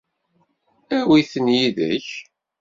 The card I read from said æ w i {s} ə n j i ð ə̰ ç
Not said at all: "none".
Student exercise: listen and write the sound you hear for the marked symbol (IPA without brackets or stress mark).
θ